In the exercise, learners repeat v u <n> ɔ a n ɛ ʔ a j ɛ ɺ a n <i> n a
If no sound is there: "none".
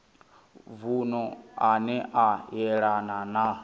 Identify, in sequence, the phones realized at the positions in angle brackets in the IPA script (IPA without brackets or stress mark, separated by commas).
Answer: n, a